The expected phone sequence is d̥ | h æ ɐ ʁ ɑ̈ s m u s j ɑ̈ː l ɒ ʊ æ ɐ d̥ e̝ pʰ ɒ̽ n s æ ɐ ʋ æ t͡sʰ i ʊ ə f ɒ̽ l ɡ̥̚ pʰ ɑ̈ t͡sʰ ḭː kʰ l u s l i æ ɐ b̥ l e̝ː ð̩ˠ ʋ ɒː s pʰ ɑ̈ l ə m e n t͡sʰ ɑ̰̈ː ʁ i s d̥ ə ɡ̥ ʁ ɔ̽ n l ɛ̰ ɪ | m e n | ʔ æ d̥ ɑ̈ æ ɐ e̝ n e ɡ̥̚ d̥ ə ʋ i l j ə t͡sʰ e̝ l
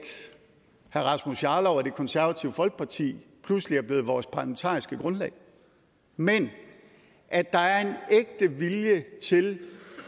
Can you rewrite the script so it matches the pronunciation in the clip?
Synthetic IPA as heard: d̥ | h æ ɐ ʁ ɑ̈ s m u s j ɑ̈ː l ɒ ʊ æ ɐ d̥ e̝ kʰ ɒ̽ n s æ ɐ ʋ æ t͡sʰ i ʊ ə f ɒ̽ l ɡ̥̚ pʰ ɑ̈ t͡sʰ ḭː pʰ l u s l i æ ɐ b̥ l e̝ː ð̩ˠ ʋ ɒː s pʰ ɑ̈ l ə m e n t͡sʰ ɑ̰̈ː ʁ i s ɡ̥ ə ɡ̥ ʁ ɔ̽ n l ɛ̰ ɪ | m e n | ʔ æ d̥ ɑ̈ æ ɐ e̝ n e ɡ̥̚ d̥ ə ʋ i l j ə t͡sʰ e̝ l